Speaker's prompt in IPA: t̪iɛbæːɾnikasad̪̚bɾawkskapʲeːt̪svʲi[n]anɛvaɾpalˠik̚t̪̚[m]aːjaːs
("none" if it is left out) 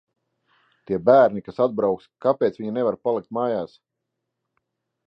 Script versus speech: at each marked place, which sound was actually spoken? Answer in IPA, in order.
ɲ, m

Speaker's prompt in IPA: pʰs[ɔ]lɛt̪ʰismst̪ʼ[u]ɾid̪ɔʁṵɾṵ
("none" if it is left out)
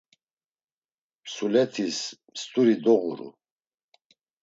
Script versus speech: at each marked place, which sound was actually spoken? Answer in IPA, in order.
u, u

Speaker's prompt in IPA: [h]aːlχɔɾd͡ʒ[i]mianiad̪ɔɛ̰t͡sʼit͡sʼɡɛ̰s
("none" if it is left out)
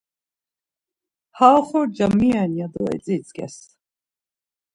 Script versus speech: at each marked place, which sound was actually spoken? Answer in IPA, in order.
h, a

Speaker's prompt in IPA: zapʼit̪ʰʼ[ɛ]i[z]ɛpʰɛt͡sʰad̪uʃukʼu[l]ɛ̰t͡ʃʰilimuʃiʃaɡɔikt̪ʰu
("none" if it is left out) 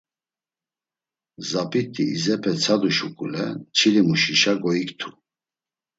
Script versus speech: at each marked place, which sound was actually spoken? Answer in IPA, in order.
i, z, l

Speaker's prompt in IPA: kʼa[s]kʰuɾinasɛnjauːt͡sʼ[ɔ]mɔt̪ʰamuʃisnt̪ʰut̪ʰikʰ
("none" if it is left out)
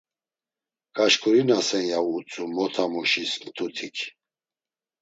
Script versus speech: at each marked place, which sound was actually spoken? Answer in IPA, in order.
ʃ, u

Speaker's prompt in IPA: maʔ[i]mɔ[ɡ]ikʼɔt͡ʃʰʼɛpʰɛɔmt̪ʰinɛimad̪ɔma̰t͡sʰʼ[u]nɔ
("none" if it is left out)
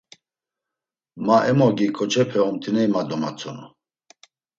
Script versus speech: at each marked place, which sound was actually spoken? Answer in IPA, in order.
ɛ, ɡ, ɔ

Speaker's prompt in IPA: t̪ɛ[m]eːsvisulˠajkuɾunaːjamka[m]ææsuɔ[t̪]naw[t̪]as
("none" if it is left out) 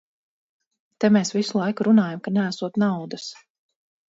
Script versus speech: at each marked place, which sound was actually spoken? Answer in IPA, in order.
m, n, t̪, d̪

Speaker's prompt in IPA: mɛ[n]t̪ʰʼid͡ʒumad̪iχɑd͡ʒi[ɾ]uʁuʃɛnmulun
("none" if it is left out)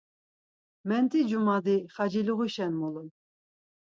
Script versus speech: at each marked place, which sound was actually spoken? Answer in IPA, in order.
n, l

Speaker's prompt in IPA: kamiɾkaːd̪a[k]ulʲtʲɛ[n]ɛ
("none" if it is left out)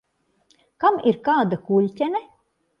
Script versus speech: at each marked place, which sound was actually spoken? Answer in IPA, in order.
k, n

